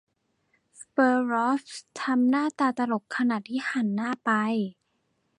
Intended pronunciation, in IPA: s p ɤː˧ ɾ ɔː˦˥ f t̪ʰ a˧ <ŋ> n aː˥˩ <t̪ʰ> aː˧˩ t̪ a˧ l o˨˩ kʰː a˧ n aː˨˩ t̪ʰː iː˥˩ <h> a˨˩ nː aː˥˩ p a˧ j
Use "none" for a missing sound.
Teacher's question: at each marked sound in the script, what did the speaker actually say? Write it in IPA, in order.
m, t̪, h

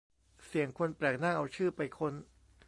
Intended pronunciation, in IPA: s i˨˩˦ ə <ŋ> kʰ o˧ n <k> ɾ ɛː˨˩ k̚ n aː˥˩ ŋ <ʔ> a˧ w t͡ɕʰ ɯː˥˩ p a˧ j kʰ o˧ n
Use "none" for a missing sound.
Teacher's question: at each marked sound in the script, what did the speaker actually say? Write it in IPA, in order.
ŋ, p, ʔ

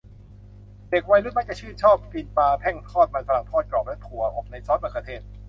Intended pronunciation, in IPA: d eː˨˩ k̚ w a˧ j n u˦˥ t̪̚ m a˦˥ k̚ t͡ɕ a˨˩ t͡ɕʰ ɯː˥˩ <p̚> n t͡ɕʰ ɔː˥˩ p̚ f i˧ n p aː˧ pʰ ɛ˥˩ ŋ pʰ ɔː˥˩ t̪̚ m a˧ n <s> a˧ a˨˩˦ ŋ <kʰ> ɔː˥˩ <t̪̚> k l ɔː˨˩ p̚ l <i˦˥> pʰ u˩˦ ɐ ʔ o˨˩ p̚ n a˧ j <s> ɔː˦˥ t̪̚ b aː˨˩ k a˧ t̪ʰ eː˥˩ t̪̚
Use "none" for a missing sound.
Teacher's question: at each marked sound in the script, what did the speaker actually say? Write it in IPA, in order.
none, f, pʰ, t̪̚, ɛ˦˥, s

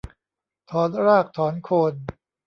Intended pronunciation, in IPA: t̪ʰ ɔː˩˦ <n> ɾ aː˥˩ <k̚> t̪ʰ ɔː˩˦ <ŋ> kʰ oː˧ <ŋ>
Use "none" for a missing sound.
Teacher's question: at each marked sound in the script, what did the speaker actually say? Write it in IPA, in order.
n, k̚, n, n

